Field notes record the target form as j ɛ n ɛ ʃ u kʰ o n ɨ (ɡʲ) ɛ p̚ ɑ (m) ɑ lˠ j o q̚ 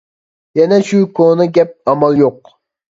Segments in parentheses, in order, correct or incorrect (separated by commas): correct, correct